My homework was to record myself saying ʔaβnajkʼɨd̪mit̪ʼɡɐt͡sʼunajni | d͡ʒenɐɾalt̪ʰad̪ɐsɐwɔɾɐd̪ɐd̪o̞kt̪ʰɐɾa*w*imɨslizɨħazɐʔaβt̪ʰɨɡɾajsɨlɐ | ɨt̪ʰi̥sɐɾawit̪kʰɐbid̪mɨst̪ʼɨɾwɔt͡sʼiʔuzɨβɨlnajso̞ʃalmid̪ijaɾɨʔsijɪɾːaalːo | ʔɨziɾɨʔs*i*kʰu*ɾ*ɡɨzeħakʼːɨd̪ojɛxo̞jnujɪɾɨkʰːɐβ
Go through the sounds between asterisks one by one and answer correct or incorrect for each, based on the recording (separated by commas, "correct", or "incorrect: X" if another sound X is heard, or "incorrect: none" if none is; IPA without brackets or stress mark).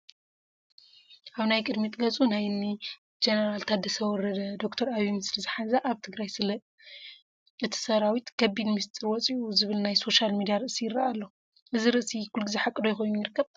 incorrect: β, correct, incorrect: l